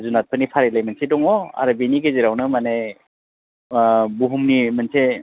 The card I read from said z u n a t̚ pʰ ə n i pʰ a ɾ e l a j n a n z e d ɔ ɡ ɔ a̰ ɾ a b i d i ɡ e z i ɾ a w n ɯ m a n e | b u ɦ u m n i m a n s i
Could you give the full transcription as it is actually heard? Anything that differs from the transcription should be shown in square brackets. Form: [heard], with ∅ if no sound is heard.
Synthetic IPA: z u n a t̚ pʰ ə n i pʰ a ɾ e l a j [m] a n [s] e d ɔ [ŋ] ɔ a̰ ɾ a b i [n] i ɡ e z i ɾ a w n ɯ m a n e | b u ɦ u m n i m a n s [e]